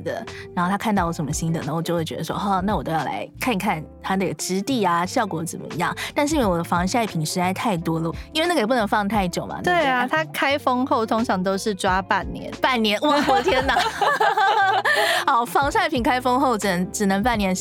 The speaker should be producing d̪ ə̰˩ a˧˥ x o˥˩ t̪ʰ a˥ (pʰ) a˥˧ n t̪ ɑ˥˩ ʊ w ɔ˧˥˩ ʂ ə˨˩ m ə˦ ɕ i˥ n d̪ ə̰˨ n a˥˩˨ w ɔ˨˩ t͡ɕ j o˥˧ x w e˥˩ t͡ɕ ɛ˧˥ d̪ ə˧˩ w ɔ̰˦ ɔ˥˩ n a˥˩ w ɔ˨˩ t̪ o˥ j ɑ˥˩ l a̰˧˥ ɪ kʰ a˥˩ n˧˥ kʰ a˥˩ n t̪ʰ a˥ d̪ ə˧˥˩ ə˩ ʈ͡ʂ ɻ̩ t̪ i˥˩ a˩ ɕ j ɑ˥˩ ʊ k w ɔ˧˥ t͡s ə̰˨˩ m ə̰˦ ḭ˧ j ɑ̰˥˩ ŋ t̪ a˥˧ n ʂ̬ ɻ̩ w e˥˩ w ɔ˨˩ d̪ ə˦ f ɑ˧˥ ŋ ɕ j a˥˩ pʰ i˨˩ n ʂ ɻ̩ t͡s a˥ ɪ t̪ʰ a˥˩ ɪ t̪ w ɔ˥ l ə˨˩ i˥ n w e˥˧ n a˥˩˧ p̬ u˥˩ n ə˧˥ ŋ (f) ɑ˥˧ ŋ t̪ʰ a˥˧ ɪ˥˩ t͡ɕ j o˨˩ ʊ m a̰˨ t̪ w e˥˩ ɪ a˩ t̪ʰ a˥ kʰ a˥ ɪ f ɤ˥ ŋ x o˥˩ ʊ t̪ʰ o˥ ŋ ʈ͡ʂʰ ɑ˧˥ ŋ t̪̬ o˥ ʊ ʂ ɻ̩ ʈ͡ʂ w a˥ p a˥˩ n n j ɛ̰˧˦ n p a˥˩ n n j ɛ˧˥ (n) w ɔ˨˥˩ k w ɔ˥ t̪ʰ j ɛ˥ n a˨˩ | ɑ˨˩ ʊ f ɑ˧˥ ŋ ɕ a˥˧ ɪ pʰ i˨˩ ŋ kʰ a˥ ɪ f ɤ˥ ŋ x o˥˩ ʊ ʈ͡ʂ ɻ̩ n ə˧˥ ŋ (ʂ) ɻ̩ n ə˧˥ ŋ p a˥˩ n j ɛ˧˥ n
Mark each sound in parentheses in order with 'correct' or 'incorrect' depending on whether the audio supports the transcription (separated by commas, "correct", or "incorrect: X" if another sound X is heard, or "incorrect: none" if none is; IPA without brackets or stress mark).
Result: incorrect: kʰ, correct, correct, incorrect: ʈ͡ʂ